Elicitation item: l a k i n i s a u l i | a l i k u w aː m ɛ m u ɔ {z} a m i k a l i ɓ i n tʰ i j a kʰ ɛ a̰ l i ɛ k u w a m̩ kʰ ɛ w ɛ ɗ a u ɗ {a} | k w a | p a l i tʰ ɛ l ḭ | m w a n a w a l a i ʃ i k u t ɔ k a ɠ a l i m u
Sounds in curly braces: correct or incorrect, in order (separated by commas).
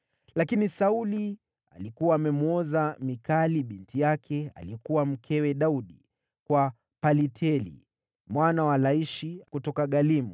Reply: correct, incorrect